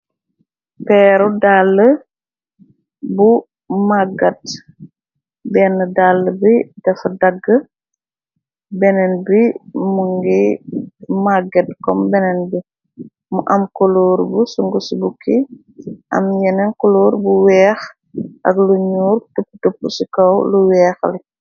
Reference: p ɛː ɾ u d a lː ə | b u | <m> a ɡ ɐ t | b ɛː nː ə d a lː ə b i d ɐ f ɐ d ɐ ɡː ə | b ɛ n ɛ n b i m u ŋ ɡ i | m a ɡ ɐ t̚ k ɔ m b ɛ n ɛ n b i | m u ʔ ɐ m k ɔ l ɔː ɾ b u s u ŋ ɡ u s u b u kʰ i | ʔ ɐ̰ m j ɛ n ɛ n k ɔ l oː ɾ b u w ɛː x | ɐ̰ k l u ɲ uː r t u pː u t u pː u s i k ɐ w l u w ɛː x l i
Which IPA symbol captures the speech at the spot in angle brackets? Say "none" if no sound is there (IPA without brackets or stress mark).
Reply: m